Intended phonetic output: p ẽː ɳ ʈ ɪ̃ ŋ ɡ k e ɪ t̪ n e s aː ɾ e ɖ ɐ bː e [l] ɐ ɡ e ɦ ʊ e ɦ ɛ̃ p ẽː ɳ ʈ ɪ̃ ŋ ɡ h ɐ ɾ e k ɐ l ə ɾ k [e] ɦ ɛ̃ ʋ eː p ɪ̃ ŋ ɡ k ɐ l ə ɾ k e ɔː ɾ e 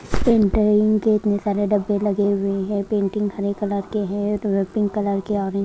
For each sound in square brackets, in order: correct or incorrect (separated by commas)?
correct, correct